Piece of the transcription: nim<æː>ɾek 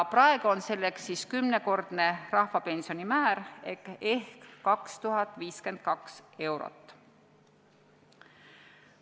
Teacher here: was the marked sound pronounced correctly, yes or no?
yes